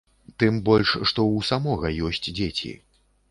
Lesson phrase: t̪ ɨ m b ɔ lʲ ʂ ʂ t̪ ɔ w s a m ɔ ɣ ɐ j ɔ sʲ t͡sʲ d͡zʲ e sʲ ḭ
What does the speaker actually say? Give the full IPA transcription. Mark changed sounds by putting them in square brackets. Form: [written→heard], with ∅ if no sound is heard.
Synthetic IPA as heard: t̪ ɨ m b ɔ lʲ ʂ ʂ t̪ ɔ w s a m ɔ ɣ ɐ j ɔ sʲ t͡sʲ d͡zʲ e [sʲ→t͡sʲ] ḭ